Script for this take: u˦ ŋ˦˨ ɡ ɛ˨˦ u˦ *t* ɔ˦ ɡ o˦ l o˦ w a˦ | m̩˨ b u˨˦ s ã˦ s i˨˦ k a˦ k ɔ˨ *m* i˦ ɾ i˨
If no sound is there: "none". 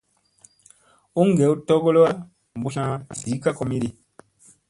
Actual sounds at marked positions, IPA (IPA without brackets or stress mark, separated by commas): t, m